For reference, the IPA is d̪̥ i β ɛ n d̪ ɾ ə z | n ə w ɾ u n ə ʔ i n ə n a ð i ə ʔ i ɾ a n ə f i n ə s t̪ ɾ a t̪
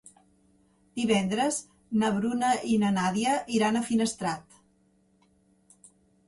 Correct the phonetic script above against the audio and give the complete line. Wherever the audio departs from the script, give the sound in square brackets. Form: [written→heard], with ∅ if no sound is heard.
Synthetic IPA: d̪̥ i β ɛ n d̪ ɾ ə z | n ə [w→β] ɾ u n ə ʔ i n ə n a ð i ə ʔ i ɾ a n ə f i n ə s t̪ ɾ a t̪